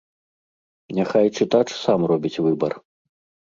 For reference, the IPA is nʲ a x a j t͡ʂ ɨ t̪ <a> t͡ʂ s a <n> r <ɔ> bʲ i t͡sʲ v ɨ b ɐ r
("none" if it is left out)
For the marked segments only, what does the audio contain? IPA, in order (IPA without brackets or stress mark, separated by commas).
a, m, ɔ